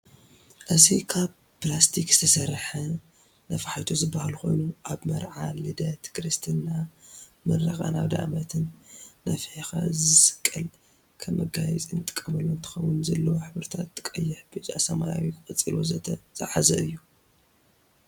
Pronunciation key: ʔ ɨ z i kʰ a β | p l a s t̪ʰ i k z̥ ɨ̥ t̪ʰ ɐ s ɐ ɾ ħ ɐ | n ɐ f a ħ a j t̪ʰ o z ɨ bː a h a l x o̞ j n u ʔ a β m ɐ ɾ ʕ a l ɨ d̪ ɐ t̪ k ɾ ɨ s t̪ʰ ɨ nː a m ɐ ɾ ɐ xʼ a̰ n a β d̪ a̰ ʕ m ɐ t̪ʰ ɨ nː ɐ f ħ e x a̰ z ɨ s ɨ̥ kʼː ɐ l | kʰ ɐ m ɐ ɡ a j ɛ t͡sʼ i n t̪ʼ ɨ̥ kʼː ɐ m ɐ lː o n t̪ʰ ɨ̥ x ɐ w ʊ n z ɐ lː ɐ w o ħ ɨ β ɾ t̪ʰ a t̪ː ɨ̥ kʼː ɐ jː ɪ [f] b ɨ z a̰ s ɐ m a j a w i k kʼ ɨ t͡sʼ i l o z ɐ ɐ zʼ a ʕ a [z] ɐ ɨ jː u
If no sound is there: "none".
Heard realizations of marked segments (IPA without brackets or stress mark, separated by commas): ħ, z